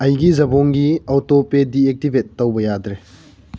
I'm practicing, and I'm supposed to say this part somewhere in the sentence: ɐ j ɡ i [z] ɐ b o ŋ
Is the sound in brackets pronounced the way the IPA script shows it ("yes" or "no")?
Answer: yes